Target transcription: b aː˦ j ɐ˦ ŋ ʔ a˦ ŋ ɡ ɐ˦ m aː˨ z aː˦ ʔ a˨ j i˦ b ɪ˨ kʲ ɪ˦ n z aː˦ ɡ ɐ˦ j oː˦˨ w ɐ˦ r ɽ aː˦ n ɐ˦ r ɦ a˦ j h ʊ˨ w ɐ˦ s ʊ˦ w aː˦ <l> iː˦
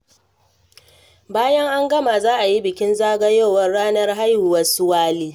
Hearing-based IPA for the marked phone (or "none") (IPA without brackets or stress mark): l